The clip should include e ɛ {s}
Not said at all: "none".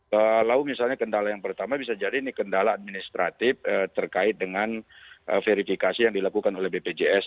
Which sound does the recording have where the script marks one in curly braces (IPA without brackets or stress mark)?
s